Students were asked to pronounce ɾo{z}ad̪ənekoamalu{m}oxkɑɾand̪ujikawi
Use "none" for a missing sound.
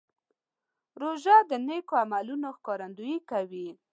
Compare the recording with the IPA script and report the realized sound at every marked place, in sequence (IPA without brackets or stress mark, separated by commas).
ʒ, n